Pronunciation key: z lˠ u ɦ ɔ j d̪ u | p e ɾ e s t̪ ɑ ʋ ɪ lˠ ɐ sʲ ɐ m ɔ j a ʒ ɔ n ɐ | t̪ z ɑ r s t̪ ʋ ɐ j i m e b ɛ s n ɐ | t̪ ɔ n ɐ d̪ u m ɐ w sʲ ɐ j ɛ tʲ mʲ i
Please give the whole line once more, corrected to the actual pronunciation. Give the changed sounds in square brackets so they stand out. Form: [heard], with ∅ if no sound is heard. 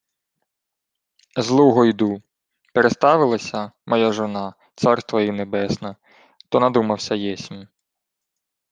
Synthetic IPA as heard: z lˠ u ɦ ɔ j d̪ u | p e ɾ e s t̪ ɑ ʋ ɪ lˠ ɐ sʲ ɐ m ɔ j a ʒ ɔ n [ɑ] | t̪ [s] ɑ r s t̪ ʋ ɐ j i [n] e b ɛ s n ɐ | t̪ ɔ n ɐ d̪ u m ɐ w sʲ ɐ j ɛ [sʲ] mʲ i